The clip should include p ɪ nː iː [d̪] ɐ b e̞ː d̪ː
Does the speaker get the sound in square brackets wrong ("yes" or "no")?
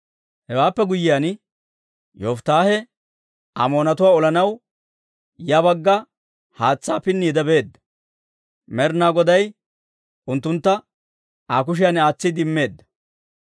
no